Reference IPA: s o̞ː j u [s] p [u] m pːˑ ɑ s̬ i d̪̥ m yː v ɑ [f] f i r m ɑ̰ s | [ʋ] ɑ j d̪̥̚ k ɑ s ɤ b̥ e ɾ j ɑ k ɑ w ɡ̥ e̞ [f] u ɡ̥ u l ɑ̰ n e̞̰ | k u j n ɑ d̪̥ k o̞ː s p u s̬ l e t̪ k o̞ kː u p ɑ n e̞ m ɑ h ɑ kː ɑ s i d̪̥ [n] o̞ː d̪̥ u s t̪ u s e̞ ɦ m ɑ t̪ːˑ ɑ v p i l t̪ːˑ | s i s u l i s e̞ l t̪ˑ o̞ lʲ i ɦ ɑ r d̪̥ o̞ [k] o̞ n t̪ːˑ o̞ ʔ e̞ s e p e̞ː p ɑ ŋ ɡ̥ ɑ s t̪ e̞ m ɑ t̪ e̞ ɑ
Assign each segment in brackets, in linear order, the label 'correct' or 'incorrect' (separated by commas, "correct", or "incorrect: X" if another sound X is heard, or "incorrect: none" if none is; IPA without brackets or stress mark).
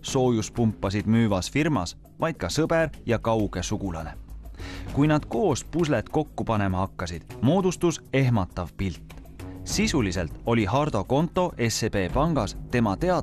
correct, correct, incorrect: s, incorrect: v, incorrect: s, incorrect: m, correct